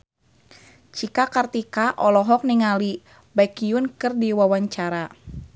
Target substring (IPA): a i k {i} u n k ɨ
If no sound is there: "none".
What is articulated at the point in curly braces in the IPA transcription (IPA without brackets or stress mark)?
i